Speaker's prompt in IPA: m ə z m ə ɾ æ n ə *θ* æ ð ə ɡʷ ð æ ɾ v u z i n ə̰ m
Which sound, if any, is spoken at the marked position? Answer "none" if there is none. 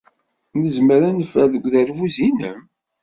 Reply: f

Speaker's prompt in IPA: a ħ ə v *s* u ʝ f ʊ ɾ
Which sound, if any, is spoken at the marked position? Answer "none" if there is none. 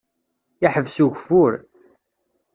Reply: s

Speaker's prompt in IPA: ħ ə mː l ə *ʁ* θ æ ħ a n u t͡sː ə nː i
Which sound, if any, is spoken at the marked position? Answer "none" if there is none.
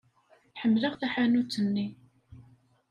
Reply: ʁ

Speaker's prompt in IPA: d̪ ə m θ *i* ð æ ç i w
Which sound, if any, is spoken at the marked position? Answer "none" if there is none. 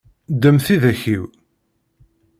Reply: i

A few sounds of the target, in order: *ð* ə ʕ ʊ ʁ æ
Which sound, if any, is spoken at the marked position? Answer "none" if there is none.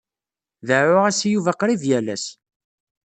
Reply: ð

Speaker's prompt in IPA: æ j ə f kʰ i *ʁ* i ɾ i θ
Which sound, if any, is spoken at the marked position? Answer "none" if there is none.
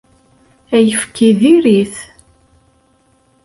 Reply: ð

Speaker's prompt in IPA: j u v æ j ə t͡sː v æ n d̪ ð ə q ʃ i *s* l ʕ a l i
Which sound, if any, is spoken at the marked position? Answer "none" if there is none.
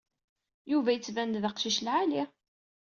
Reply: ʃ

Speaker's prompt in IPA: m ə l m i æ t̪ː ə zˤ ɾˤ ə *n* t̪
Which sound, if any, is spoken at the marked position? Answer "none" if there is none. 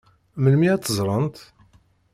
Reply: n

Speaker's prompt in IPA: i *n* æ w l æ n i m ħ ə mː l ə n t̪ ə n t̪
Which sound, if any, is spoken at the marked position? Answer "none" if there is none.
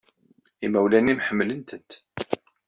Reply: m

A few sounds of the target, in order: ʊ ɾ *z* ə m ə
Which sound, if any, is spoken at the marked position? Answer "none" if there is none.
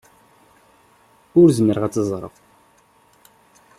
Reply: z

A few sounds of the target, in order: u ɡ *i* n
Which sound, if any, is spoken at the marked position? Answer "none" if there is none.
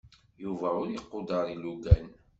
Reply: æ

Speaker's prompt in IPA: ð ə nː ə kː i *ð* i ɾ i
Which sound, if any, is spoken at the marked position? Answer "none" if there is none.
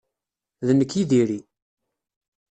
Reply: ð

